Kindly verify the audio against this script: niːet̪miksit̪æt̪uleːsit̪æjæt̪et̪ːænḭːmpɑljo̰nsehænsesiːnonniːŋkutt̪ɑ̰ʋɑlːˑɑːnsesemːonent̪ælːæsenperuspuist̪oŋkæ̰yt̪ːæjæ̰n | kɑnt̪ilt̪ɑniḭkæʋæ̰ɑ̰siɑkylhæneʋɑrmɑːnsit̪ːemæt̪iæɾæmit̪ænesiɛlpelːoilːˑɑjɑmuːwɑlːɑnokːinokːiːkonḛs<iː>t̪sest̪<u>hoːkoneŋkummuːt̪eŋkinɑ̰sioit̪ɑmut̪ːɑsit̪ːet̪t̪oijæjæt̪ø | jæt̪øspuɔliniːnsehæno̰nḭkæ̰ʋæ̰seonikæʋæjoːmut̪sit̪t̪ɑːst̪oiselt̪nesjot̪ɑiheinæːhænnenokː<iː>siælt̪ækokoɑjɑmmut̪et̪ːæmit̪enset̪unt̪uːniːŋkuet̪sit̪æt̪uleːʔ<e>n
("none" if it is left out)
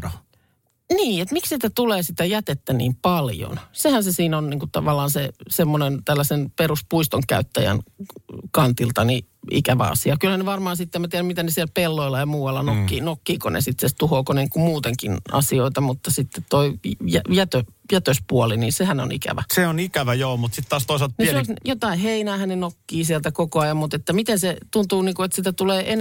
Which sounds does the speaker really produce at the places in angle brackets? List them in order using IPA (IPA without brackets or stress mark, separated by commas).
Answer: i, u, iː, e